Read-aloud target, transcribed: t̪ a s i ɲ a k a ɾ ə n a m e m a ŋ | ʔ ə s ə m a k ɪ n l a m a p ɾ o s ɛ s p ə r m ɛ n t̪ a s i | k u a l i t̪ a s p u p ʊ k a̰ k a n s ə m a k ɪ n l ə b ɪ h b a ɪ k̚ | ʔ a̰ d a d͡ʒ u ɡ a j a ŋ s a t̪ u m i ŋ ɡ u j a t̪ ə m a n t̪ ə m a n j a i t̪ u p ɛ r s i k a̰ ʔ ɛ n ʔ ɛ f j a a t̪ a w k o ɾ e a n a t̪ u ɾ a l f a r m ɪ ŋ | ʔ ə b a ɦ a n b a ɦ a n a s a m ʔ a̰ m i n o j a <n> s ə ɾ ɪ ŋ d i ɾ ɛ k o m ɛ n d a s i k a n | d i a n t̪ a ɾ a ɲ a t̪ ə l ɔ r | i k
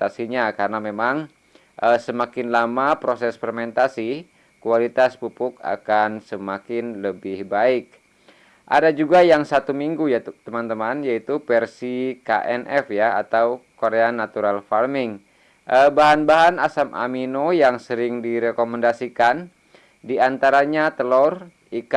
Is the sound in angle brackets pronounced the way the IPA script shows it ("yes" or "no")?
no